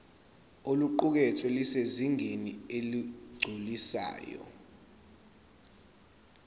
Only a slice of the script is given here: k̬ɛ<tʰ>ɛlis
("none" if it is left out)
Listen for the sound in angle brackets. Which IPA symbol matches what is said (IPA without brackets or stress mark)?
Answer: tʰ